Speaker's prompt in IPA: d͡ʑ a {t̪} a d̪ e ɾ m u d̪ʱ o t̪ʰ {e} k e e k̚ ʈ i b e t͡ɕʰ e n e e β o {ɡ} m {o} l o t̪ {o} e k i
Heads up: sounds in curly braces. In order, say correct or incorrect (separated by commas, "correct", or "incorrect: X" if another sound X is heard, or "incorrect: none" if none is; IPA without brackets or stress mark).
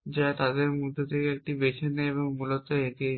correct, correct, incorrect: ŋ, incorrect: u, correct